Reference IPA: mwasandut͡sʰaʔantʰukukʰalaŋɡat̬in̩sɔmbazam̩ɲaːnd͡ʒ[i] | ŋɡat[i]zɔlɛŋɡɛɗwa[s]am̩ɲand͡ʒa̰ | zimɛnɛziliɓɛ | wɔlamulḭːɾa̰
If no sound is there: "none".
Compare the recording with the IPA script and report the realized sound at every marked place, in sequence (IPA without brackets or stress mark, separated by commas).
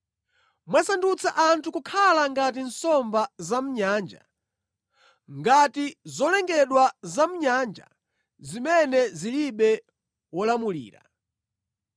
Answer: a, i, z